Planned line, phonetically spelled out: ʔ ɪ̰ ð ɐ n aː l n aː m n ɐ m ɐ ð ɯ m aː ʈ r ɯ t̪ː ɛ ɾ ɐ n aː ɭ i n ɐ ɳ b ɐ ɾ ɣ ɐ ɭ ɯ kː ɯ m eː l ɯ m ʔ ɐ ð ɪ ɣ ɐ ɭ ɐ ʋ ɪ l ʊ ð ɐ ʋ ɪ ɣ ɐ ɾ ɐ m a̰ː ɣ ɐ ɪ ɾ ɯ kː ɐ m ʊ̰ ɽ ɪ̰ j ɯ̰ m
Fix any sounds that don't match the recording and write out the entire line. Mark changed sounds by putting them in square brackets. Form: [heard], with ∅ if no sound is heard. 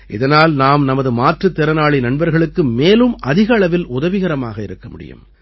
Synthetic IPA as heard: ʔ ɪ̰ ð ɐ n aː l n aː m n ɐ m ɐ ð ɯ m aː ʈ r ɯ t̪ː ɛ ɾ ɐ n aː ɭ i n ɐ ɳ b ɐ ɾ ɣ ɐ ɭ ɯ kː ɯ m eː l ɯ m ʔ ɐ ð ɪ ɣ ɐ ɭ ɐ ʋ ɪ l ʊ ð ɐ ʋ ɪ ɣ ɐ ɾ ɐ m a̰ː ɣ ɐ ɪ ɾ ɯ kː ɐ m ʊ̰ ɽ ɪ̰ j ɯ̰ m